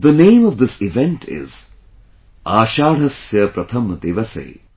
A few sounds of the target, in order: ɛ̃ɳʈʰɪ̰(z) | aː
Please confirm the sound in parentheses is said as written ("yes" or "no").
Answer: yes